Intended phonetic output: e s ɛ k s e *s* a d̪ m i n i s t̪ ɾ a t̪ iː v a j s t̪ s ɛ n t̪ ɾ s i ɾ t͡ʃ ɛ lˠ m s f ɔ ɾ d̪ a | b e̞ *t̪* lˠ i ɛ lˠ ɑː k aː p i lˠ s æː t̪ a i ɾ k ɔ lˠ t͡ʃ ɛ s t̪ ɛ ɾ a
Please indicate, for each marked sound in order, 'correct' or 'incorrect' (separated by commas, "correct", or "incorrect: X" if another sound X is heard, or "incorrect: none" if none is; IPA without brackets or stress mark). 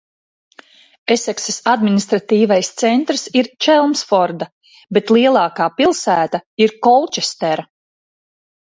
correct, correct